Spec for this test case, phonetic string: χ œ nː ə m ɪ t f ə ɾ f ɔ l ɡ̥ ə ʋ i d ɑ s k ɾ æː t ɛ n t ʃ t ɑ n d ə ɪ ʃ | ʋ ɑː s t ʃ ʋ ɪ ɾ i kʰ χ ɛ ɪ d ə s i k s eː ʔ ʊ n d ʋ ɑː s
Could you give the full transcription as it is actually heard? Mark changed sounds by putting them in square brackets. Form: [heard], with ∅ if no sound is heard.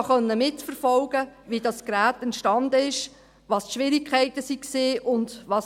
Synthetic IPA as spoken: χ œ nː ə m ɪ t f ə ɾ f ɔ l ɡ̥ ə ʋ i d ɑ s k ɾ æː t ɛ n t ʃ t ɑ n d ə ɪ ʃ | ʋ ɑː s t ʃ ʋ ɪ ɾ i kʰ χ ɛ ɪ [t] ə s i k s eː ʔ ʊ n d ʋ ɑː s